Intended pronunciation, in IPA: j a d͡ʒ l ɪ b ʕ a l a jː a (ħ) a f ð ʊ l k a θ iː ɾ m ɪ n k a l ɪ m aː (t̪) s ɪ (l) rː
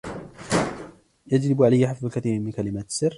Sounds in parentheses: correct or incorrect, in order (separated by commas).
correct, correct, incorrect